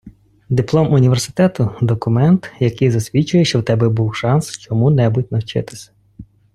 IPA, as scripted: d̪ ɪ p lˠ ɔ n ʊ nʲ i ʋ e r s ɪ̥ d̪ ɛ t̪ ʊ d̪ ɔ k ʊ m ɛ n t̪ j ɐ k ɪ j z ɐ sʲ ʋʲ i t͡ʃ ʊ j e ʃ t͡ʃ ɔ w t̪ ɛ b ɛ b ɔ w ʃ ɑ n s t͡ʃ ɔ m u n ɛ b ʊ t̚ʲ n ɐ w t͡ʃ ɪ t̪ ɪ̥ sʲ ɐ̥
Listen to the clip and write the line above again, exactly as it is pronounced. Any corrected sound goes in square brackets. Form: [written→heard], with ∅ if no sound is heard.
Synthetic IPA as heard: d̪ ɪ p lˠ ɔ [n→m] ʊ nʲ i ʋ e r s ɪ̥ [d̪→t̪] ɛ t̪ ʊ d̪ ɔ k ʊ m ɛ n t̪ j ɐ k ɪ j z ɐ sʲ ʋʲ i t͡ʃ ʊ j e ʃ t͡ʃ ɔ w t̪ ɛ b ɛ b [ɔ→u] w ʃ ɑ n s t͡ʃ ɔ m u n ɛ b ʊ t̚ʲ n ɐ w t͡ʃ ɪ t̪ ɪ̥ sʲ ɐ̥